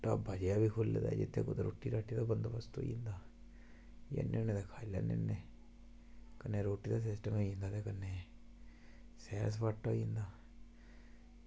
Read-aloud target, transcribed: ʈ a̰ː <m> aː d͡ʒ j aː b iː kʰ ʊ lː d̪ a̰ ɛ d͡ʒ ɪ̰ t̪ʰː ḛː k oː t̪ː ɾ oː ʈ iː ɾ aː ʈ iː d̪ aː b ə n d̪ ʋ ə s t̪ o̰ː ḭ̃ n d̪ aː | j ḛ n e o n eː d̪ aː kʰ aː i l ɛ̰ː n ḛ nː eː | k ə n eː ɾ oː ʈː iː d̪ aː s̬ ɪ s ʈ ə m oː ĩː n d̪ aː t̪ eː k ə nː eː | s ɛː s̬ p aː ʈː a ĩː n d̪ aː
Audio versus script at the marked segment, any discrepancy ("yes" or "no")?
yes